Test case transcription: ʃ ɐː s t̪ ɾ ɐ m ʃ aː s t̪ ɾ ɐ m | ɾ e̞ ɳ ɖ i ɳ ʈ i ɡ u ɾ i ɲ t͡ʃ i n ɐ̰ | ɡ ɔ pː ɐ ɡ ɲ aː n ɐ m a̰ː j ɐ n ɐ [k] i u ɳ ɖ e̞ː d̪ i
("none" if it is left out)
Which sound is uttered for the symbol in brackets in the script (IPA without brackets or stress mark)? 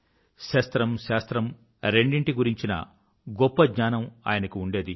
k